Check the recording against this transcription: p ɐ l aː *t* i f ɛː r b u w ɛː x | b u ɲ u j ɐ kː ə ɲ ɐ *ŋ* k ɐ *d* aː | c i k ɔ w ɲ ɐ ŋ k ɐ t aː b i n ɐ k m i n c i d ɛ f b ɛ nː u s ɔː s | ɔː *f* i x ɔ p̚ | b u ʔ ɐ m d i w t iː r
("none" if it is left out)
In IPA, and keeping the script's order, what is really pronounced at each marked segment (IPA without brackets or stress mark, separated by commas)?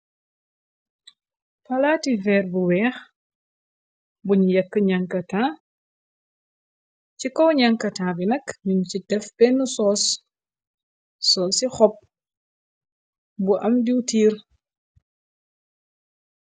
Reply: t, ŋ, t, s